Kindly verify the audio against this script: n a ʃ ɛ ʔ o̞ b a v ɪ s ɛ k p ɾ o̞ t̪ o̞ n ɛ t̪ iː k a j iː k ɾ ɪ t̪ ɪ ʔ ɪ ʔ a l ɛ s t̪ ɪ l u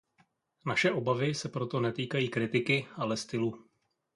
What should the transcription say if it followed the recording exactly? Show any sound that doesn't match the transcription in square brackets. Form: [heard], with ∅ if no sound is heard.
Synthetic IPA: n a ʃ ɛ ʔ o̞ b a v ɪ s ɛ [∅] p ɾ o̞ t̪ o̞ n ɛ t̪ iː k a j iː k ɾ ɪ t̪ ɪ [k] ɪ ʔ a l ɛ s t̪ ɪ l u

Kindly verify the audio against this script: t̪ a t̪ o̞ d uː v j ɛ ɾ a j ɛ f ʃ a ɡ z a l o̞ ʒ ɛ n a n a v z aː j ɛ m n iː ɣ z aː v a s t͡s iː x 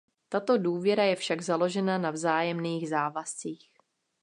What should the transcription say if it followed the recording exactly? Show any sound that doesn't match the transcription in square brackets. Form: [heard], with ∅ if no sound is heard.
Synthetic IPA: t̪ a t̪ o̞ d uː v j ɛ ɾ a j ɛ f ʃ a ɡ z a l o̞ ʒ ɛ n a n a v z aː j ɛ m n iː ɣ z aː v a s t͡s iː x

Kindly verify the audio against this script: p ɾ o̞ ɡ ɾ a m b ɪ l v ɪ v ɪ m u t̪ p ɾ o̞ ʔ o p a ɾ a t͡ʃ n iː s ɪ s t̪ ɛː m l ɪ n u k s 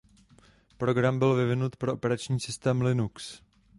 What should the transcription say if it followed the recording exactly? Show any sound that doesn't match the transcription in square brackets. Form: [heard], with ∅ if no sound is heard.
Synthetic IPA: p ɾ o̞ ɡ ɾ a m b ɪ l v ɪ v ɪ [n] u t̪ p ɾ o̞ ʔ o p [ɛ] ɾ a t͡ʃ [ɲ] iː s ɪ s t̪ ɛː m l ɪ n u k s

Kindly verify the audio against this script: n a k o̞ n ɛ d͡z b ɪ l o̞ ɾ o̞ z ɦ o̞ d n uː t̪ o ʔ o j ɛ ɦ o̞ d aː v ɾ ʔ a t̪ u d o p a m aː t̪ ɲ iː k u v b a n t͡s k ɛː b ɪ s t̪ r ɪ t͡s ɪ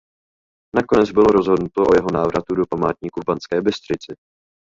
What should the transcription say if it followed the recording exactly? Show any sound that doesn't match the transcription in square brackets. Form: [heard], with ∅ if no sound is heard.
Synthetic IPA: n a k o̞ n ɛ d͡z b ɪ l o̞ ɾ o̞ z ɦ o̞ d n [u] t̪ o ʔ o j ɛ ɦ o̞ [n] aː v ɾ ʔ a t̪ u d o p a m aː t̪ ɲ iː k u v b a n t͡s k ɛː b ɪ s t̪ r ɪ t͡s ɪ

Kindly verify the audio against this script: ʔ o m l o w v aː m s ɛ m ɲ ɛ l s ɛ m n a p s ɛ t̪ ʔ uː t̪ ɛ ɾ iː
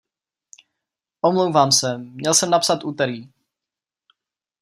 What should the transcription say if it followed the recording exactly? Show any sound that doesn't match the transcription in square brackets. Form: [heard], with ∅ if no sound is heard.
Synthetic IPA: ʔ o m l o w v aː m s ɛ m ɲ ɛ l s ɛ m n a p s [a] t̪ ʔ uː t̪ ɛ ɾ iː

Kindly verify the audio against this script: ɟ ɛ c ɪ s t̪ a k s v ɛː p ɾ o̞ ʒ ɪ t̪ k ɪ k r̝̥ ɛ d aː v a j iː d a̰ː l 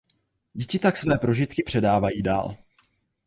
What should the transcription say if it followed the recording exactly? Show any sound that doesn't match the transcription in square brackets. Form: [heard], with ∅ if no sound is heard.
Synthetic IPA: ɟ ɛ c ɪ [∅] t̪ a k s v ɛː p ɾ o̞ ʒ ɪ t̪ k ɪ [p] r̝̥ ɛ d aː v a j iː d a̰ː l

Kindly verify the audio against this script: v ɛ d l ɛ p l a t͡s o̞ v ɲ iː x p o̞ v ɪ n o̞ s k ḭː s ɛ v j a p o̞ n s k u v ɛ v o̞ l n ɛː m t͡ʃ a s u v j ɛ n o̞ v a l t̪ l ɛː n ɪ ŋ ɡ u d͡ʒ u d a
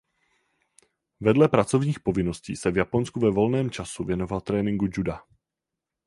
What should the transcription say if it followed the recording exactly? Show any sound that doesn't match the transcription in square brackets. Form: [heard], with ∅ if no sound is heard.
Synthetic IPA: v ɛ d l ɛ p [ɾ] a t͡s o̞ v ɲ iː x p o̞ v ɪ n o̞ s [c] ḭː s ɛ v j a p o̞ n s k u v ɛ v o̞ l n ɛː m t͡ʃ a s u v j ɛ n o̞ v a l t̪ [ɾ] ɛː n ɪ ŋ ɡ u d͡ʒ u d a

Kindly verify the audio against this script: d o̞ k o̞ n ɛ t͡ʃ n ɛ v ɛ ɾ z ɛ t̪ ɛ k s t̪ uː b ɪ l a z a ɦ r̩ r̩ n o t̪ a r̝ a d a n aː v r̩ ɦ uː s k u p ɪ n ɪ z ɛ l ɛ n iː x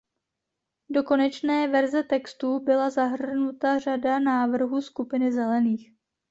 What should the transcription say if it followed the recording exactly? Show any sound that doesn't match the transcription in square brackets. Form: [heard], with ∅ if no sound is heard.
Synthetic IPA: d o̞ k o̞ n ɛ t͡ʃ n [ɛː] v ɛ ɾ z ɛ t̪ ɛ k s t̪ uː b ɪ l a z a ɦ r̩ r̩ n [u] t̪ a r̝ a d a n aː v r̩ ɦ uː s k u p ɪ n ɪ z ɛ l ɛ n iː x

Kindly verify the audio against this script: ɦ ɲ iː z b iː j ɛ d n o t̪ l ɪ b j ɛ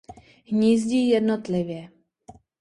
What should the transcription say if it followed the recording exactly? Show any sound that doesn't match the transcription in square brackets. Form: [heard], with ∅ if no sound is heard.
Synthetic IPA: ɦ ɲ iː z [ɟ] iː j ɛ d n o t̪ l ɪ [v] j ɛ

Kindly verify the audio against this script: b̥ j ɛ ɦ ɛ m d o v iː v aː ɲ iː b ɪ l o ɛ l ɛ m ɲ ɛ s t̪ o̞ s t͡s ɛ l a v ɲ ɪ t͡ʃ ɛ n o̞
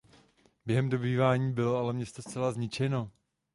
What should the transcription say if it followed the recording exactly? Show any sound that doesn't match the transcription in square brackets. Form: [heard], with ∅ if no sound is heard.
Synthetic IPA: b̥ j ɛ ɦ ɛ m d o [b] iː v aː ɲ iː b ɪ l o [a] l ɛ m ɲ ɛ s t̪ o̞ s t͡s ɛ l a [z] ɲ ɪ t͡ʃ ɛ n o̞

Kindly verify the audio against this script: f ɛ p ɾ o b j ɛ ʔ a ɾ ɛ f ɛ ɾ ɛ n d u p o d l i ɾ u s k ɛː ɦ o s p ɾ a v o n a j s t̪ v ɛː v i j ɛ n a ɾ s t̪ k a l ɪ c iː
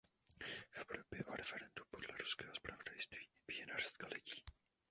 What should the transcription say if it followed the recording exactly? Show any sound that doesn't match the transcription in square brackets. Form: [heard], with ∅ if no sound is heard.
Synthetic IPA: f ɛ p ɾ o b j ɛ ʔ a ɾ ɛ f ɛ ɾ ɛ n d u p o d l [ɛ] ɾ u s k ɛː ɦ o s p ɾ a v o [d] a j s t̪ v [iː] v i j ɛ n a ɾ s t̪ k a l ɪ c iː

